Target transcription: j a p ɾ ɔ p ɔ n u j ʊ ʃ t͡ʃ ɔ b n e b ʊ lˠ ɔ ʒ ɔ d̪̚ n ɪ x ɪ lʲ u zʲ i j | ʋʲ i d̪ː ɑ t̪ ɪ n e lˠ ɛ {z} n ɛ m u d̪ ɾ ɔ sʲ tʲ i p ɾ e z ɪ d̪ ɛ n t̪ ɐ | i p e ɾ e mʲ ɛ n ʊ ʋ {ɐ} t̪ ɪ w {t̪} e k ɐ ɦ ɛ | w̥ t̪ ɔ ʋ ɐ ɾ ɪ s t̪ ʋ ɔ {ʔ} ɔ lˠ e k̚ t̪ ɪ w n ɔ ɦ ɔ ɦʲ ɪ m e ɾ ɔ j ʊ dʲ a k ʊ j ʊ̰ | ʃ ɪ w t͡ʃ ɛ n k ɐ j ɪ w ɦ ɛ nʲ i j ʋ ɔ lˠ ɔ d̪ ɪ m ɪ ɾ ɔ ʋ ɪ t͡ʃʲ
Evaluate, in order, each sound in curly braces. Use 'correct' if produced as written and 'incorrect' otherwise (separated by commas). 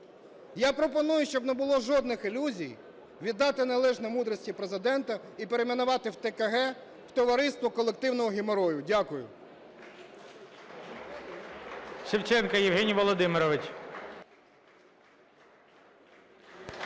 incorrect, incorrect, correct, incorrect